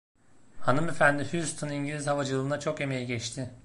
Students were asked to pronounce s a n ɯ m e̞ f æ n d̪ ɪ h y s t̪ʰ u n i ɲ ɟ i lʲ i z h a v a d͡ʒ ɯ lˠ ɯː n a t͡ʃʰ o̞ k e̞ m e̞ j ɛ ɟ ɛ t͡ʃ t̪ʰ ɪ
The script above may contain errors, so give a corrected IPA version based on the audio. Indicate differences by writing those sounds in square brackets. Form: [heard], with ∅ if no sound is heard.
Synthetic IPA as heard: [h] a n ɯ m e̞ f æ n d̪ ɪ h y s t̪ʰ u n i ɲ ɟ i lʲ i z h a v a d͡ʒ ɯ lˠ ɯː n a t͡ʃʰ o̞ k e̞ m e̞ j [i] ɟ ɛ t͡ʃ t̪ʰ ɪ